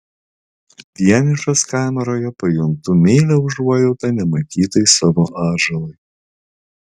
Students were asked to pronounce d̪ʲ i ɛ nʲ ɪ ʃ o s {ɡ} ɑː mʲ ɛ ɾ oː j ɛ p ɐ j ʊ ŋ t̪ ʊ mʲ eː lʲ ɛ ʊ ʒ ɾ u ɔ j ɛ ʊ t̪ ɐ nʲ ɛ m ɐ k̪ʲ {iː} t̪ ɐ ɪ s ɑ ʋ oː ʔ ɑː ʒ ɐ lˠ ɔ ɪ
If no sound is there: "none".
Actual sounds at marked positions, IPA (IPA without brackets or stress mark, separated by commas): k, iː